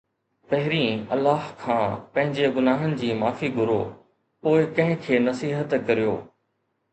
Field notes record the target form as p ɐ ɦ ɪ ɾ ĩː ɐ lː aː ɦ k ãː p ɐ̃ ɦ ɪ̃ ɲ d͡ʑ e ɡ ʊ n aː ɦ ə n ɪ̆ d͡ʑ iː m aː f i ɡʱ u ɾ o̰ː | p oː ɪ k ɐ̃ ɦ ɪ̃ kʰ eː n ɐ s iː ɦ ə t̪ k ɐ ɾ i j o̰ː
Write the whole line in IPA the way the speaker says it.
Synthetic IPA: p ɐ ɦ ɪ ɾ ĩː ɐ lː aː ɦ kʰ ãː p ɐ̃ ɦ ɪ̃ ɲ d͡ʑ e ɡ ʊ n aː ɦ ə n ɪ̆ d͡ʑ iː m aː f i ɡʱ ʊ ɾ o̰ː | p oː ɪ k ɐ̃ ɦ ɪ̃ kʰ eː n ɐ s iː ɦ ə t̪ k ɐ ɾ i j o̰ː